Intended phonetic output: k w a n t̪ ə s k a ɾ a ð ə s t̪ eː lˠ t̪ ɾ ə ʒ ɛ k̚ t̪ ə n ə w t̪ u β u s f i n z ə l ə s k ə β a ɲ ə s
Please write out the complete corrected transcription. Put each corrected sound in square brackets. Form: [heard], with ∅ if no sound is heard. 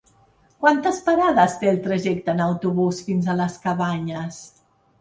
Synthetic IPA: k w a n t̪ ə s [p] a ɾ a ð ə s t̪ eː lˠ t̪ ɾ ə ʒ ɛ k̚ t̪ ə n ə w t̪ u β u s f i n z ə l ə s k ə β a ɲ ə s